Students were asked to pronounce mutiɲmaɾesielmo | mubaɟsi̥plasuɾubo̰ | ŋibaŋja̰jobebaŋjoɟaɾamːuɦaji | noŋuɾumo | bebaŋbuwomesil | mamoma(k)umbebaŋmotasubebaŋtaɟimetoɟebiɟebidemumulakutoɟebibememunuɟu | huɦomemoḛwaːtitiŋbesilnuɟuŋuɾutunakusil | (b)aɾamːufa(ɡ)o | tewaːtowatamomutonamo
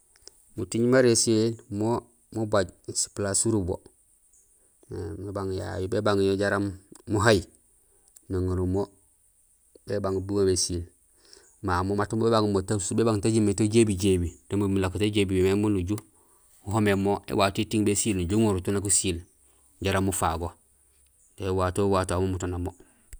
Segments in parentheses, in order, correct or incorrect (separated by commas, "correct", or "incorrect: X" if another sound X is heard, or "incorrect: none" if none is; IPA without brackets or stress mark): incorrect: t, incorrect: ɟ, correct